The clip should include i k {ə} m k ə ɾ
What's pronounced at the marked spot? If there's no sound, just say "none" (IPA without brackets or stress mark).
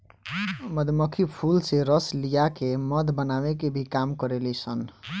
a